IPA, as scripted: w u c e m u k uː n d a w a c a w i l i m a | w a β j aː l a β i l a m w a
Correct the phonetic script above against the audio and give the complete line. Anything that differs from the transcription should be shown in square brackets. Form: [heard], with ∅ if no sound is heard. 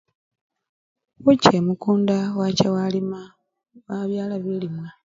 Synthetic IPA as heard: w u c e m u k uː n d a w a c a w [a] l i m a | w a β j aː l a β i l [i] m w a